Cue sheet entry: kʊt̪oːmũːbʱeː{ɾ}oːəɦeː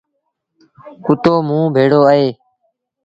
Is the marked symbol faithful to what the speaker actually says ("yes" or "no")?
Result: no